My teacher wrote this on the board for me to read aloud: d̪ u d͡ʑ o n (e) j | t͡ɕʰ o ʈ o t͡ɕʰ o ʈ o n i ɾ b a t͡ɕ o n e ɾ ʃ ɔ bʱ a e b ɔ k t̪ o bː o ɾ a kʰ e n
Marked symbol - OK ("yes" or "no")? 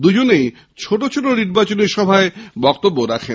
yes